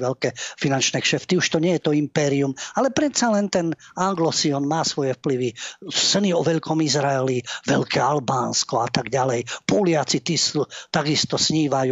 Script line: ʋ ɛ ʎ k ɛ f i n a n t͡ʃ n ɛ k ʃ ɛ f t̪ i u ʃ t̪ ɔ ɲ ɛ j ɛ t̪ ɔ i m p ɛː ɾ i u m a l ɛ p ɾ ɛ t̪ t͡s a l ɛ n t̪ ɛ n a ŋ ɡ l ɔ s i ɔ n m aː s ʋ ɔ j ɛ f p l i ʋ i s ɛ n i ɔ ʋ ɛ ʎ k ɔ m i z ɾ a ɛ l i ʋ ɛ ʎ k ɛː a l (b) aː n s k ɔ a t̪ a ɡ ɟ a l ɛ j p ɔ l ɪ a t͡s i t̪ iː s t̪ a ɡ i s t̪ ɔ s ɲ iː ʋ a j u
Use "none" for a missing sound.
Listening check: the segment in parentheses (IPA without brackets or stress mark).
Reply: b